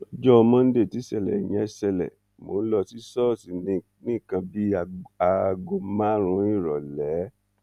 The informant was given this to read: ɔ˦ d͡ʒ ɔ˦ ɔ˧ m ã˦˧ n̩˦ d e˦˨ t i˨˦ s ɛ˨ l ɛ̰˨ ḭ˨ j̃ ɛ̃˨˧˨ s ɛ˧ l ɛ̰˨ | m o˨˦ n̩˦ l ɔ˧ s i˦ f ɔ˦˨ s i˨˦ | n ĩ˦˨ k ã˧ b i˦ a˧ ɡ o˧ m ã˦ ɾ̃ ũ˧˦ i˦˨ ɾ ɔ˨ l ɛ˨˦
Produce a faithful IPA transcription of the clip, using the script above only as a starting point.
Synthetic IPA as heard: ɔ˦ d͡ʒ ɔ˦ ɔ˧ m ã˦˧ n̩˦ d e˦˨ t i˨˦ s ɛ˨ l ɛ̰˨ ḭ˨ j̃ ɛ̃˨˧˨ s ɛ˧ l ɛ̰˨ | m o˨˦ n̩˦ l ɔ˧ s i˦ s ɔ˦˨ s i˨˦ | n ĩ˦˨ k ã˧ b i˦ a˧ ɡ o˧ m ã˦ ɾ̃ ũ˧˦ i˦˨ ɾ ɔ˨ l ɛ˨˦